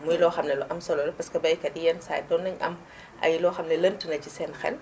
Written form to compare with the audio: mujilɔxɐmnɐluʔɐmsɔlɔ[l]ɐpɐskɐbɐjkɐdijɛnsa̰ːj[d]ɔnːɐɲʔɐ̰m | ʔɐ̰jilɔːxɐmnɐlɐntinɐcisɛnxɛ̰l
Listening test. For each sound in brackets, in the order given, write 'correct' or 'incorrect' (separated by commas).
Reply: correct, correct